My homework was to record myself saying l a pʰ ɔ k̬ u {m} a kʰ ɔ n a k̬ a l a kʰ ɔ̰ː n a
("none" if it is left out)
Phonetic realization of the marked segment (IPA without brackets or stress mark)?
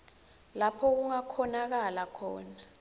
ŋ